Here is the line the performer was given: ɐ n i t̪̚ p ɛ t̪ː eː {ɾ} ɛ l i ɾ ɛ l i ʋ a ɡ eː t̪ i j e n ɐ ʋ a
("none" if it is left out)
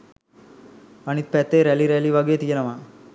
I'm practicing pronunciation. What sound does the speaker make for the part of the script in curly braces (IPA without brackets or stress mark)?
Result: ɾ